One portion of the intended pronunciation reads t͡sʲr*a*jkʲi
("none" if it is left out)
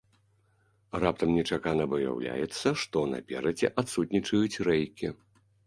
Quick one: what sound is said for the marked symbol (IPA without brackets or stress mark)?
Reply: ɛ